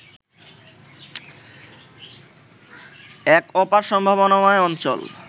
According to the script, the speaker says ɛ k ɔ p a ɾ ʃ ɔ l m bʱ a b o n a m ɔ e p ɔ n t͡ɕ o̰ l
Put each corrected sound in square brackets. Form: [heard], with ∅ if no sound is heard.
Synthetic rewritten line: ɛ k ɔ p a ɾ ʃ ɔ [∅] m bʱ a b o n a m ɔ e [∅] ɔ n t͡ɕ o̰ l

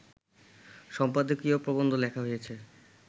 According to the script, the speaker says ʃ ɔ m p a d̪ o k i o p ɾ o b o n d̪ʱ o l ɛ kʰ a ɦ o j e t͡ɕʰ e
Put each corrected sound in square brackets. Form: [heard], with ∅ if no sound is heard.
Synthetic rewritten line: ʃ ɔ m p a d̪ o k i o p ɾ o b o n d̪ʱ o l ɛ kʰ a ɦ o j e t͡ɕʰ e

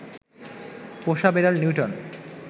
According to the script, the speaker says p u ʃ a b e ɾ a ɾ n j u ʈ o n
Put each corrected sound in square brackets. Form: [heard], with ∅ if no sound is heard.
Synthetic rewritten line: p [o] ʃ a b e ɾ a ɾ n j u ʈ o n

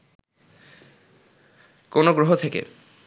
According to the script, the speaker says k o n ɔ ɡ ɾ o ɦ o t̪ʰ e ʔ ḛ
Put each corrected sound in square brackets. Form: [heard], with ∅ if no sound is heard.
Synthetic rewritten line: k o n [o] ɡ ɾ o ɦ o t̪ʰ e [k] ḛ

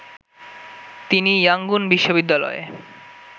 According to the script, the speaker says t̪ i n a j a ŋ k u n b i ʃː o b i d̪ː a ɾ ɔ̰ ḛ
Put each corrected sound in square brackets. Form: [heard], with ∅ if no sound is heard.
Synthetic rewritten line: t̪ i n [i] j a ŋ [ɡ] u n b i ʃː o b i d̪ː a [l] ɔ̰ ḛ

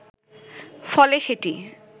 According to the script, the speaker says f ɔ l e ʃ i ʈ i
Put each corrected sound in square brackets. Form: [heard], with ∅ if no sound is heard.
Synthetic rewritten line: f ɔ l e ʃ [e] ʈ i

